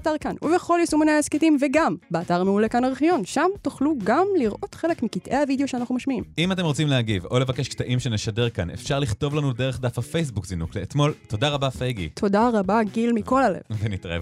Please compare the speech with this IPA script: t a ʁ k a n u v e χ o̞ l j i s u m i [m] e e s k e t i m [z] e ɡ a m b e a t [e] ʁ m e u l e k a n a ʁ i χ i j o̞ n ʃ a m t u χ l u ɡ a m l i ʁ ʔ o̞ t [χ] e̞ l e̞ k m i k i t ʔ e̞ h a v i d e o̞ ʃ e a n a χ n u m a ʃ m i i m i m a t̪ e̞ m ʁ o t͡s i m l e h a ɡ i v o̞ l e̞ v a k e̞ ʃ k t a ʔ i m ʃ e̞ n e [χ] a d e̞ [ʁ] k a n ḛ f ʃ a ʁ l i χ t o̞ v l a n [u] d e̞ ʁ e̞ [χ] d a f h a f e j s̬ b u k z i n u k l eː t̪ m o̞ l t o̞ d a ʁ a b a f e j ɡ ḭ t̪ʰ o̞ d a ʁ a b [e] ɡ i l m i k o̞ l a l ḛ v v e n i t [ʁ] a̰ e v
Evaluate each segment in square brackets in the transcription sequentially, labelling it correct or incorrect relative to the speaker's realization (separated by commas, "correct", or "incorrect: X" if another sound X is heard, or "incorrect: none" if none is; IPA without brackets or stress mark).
incorrect: n, incorrect: v, incorrect: a, correct, incorrect: ʃ, correct, correct, correct, incorrect: a, correct